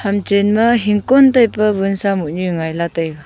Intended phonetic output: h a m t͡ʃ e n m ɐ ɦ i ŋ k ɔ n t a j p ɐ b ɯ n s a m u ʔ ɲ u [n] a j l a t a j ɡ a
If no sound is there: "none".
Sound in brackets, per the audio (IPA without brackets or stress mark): ŋ